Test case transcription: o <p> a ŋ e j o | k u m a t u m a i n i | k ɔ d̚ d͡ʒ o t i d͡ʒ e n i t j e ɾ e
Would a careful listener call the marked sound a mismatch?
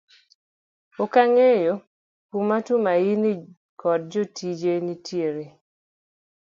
yes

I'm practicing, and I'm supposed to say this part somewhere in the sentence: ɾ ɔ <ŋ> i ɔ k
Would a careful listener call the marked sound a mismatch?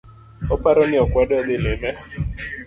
yes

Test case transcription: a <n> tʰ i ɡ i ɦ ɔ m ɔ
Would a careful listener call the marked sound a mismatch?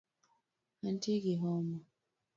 no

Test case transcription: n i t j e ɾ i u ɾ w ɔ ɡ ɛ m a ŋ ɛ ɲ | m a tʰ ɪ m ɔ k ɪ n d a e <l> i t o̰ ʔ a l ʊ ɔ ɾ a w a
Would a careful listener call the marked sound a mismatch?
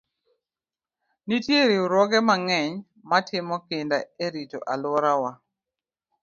yes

